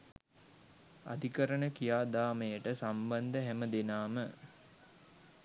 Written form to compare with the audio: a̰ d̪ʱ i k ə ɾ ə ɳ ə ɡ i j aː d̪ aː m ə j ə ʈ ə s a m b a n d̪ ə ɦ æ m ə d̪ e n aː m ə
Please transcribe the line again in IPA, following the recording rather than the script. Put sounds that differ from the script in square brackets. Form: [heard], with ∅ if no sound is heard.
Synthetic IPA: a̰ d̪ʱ i k ə ɾ ə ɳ ə [k] i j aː d̪ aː m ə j ə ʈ ə s a m b a n d̪ ə ɦ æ m ə d̪ e n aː m ə